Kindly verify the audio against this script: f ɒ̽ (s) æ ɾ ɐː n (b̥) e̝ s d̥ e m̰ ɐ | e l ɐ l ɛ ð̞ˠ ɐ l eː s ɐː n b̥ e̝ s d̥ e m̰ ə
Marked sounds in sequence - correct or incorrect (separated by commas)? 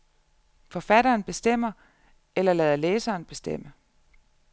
incorrect, correct